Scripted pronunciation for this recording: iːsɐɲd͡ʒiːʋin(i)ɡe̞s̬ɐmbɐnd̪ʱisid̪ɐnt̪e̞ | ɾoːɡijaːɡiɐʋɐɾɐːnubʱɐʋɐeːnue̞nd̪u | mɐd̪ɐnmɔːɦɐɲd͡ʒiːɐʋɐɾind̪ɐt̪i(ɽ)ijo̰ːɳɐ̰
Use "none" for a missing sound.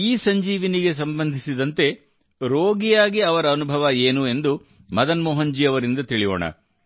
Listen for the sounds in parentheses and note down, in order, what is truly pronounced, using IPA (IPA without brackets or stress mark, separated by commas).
i, ɭ